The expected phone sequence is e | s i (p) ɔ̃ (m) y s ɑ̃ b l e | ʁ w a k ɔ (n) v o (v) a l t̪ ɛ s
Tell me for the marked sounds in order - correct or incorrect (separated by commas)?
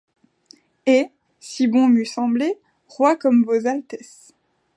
incorrect, correct, incorrect, incorrect